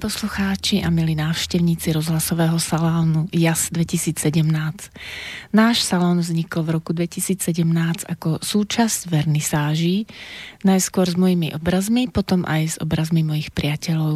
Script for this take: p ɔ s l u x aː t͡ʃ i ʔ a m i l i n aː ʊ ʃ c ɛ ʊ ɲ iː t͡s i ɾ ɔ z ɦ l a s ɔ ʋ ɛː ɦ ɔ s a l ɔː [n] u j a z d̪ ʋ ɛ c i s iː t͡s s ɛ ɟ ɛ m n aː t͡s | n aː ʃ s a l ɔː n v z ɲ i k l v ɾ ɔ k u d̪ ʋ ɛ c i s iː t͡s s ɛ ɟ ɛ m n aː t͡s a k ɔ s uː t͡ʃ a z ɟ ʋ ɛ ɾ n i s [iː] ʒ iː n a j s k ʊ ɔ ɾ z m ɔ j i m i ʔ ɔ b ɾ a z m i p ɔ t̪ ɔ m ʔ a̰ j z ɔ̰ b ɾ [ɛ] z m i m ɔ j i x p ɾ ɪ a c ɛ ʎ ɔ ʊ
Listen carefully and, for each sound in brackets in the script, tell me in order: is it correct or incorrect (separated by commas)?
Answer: correct, incorrect, incorrect